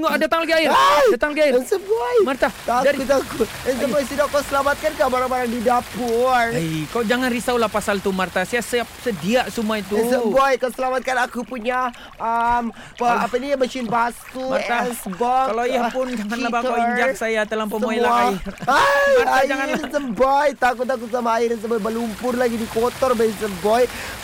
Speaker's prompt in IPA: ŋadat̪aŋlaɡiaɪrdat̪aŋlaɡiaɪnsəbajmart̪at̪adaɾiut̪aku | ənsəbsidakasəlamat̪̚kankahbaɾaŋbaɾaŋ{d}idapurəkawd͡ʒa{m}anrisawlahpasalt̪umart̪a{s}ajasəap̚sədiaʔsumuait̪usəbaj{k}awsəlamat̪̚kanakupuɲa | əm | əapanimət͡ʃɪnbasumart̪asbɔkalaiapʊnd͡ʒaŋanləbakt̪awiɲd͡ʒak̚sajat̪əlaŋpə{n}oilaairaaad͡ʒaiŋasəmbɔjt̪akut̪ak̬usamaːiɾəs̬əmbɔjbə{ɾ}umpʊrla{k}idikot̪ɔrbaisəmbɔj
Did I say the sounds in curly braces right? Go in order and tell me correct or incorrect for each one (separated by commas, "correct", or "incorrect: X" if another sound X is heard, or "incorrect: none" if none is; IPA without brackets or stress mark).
correct, incorrect: ŋ, correct, correct, incorrect: m, incorrect: l, incorrect: ɡ